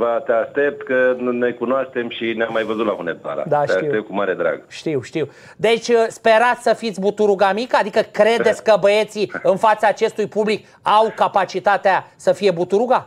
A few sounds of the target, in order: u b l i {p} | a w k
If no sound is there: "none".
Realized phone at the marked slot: k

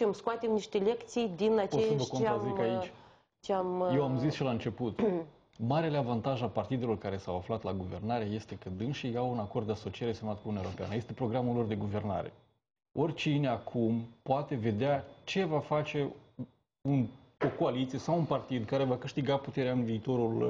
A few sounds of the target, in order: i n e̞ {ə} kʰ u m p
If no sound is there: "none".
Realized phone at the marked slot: a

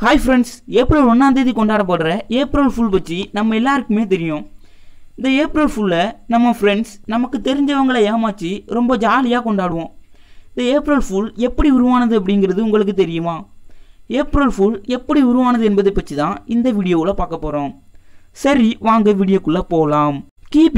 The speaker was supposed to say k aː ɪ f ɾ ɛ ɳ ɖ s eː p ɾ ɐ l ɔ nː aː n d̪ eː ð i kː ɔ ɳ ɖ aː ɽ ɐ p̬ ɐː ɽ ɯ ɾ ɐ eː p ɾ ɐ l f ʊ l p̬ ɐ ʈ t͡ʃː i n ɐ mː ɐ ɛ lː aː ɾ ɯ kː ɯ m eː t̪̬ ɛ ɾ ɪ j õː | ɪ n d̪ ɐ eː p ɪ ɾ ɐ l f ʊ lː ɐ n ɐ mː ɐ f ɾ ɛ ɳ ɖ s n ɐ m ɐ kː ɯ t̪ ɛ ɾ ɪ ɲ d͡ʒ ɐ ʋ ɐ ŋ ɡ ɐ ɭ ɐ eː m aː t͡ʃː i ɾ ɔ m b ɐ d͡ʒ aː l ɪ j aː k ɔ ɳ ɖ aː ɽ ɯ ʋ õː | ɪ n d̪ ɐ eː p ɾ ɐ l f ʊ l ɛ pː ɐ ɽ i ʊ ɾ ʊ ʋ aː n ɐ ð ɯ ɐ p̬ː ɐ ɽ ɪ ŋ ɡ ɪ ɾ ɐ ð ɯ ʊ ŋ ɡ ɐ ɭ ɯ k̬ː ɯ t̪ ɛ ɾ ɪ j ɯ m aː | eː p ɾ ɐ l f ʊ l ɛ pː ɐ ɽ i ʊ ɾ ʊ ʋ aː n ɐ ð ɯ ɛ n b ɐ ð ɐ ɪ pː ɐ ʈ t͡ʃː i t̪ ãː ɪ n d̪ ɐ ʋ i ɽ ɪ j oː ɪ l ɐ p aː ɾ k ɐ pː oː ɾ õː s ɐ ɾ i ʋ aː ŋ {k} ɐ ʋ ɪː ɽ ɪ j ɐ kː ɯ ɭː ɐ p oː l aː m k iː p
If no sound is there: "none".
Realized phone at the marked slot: ɡ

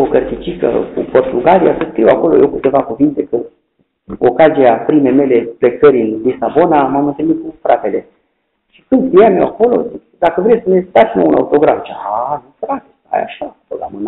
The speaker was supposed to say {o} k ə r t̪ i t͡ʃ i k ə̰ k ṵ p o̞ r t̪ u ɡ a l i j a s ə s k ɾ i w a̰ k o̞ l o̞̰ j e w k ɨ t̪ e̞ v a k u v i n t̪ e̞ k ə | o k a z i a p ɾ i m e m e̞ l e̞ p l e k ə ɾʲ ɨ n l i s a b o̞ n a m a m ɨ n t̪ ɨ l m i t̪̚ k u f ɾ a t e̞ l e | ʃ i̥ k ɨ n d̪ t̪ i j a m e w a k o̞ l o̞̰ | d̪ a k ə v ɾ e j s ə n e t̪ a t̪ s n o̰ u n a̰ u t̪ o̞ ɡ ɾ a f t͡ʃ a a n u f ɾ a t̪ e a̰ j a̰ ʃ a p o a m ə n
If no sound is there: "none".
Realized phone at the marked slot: o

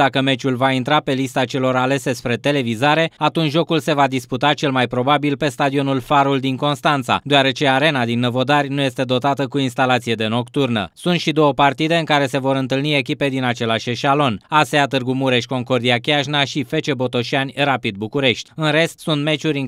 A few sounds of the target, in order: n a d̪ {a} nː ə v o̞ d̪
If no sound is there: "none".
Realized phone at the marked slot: i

